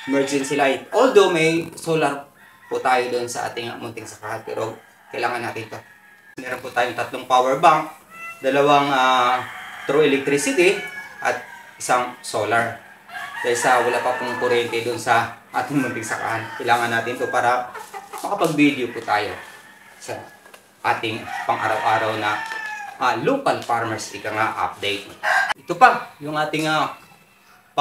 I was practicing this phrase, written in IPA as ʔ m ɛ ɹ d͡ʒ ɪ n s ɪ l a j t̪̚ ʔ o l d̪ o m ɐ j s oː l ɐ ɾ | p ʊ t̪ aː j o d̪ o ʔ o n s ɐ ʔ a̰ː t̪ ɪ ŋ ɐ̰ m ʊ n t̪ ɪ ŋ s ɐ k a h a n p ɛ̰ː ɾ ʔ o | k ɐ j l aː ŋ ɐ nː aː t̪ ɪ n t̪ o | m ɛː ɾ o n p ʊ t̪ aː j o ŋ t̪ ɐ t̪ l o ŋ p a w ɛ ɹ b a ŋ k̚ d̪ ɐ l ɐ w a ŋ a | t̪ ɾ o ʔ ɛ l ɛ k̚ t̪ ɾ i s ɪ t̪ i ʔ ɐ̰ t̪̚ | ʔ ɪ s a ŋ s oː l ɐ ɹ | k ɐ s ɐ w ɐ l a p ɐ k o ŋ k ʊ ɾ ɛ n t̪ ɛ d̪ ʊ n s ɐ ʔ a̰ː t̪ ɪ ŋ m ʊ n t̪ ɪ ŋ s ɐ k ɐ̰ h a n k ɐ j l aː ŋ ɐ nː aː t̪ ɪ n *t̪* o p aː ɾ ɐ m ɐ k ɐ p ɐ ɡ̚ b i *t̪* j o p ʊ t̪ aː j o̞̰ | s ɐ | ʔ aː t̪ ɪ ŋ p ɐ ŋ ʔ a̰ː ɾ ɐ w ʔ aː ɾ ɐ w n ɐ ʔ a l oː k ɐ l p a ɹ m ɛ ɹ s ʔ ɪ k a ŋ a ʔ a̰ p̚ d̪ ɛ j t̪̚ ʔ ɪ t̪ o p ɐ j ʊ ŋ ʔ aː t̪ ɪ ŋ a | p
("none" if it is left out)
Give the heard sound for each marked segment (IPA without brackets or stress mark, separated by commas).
t̪, d̪